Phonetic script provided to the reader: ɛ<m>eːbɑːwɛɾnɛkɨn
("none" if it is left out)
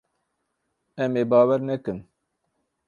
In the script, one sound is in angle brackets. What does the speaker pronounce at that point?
m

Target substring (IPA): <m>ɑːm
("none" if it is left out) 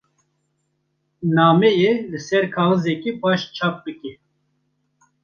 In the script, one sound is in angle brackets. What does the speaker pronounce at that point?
n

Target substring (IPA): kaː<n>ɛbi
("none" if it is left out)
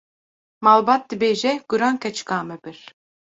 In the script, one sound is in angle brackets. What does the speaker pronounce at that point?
m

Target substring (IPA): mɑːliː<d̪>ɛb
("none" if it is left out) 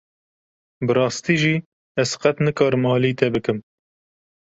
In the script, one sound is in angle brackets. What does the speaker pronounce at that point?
t̪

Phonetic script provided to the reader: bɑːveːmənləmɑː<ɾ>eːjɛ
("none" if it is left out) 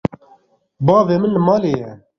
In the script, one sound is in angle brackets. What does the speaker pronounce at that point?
l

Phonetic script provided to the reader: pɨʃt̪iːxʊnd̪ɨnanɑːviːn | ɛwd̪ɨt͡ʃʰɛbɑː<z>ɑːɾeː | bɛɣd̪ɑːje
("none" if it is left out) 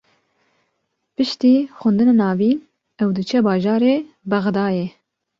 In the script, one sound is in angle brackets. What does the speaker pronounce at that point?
ʒ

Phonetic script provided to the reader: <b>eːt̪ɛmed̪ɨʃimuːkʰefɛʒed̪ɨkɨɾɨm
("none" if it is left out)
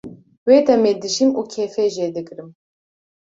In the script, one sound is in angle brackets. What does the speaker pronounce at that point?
w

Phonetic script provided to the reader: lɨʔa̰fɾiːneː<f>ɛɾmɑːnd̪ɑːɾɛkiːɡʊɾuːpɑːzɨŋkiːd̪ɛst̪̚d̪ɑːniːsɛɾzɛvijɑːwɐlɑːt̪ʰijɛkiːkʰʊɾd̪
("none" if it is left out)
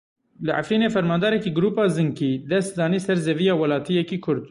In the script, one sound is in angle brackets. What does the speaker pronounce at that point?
f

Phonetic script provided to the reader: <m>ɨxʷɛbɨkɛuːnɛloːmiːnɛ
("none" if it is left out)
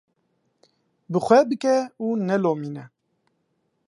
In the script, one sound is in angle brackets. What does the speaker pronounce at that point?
b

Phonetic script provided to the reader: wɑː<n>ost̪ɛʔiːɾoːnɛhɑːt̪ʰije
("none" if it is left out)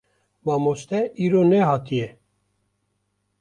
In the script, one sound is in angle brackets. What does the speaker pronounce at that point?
m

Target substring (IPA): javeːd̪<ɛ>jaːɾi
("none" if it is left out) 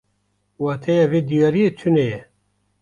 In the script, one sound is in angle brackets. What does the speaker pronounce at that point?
i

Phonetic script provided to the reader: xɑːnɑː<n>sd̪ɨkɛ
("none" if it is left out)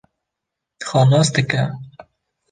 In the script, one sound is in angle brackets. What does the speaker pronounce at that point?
none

